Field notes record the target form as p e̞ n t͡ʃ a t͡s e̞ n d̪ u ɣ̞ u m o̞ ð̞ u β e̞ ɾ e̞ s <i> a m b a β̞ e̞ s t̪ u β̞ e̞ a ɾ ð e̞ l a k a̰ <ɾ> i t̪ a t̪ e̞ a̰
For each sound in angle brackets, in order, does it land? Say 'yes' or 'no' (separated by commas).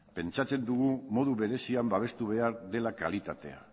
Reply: yes, no